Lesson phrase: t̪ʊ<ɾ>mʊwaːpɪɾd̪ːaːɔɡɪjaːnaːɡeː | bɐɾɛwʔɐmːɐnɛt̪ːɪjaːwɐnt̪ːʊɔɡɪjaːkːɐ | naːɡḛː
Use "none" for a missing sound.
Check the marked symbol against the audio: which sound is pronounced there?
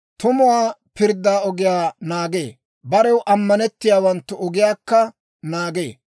none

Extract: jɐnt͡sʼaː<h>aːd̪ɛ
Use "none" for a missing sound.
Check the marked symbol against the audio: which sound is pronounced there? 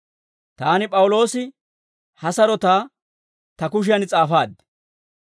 f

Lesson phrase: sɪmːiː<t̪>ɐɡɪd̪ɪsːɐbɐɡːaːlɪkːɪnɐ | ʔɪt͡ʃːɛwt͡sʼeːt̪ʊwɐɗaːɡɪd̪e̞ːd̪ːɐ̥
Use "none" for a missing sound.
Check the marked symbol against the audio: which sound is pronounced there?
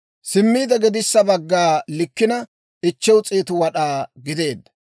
d̪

